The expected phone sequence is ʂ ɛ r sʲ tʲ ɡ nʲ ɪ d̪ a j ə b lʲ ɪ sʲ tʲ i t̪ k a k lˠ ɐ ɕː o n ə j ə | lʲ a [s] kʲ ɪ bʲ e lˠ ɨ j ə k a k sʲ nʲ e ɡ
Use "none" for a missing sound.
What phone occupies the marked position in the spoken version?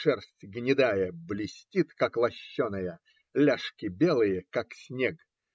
ʂ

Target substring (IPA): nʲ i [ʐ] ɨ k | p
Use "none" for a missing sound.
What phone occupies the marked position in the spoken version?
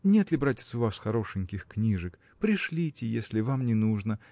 ʐ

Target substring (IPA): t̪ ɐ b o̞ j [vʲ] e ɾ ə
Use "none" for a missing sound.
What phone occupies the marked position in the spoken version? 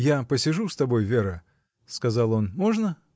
vʲ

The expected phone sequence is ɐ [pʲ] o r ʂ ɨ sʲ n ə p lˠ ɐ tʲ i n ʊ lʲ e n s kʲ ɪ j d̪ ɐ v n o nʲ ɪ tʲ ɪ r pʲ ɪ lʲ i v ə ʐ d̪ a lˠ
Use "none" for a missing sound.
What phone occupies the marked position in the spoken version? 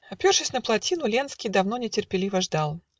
pʲ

